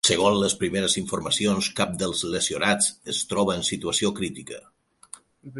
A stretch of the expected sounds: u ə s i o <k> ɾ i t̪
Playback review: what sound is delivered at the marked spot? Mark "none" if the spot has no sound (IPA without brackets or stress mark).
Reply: k